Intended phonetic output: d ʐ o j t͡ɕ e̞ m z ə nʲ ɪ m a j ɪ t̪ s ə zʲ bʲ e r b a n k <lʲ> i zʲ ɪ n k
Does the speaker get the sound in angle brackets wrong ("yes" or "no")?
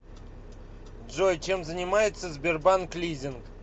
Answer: no